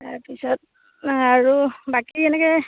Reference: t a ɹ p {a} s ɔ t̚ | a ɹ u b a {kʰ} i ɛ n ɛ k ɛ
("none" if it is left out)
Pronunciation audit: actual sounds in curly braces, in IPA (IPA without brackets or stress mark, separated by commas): i, k